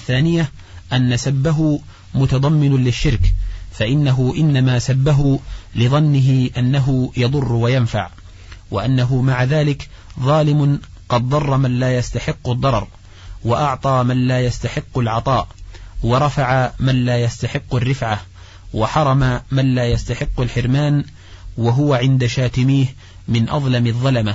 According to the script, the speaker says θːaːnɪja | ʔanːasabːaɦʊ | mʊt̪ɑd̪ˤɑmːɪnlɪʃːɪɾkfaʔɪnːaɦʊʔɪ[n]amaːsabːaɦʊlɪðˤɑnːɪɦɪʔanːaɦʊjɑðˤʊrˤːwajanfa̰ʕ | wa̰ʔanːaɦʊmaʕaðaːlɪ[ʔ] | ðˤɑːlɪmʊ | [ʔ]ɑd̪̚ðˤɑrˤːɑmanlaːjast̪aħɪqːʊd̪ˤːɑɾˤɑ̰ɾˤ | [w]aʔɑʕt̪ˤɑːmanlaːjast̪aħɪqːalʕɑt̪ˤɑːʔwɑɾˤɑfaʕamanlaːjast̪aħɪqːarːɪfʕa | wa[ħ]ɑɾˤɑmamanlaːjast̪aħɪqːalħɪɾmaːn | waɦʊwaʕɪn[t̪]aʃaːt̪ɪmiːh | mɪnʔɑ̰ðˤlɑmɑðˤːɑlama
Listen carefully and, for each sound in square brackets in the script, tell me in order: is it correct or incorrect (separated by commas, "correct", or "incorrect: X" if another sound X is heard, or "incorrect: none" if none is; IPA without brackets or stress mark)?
incorrect: nː, incorrect: k, incorrect: q, correct, correct, incorrect: d̪